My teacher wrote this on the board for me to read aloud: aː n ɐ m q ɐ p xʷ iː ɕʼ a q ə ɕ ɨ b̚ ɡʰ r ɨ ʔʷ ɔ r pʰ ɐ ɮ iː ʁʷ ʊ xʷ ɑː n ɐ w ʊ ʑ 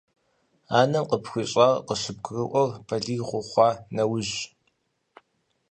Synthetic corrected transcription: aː n ɐ m q ə p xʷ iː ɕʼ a q ə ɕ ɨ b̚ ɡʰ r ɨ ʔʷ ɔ r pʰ ɐ ɮ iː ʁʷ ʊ χʷ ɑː n ɐ w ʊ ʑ